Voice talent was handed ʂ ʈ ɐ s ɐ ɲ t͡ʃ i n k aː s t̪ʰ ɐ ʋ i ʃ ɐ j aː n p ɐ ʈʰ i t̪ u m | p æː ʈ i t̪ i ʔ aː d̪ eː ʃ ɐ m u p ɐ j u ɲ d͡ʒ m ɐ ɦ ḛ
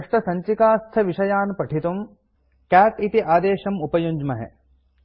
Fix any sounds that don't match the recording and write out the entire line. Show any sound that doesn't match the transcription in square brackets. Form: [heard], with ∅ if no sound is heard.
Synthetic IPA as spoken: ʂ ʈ ɐ s ɐ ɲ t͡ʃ i [∅] k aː s t̪ʰ ɐ ʋ i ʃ ɐ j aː n p ɐ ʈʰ i t̪ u m | [k] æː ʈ i t̪ i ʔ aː d̪ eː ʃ ɐ m u p ɐ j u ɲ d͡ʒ m ɐ ɦ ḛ